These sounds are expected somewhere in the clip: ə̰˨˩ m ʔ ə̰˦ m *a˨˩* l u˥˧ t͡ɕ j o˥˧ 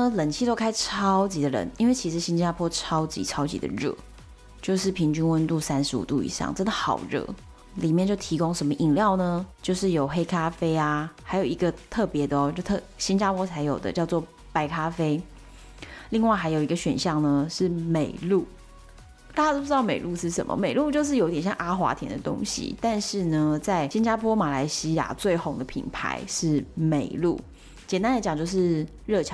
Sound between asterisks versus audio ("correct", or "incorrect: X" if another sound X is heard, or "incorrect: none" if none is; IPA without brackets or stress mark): incorrect: e˨˩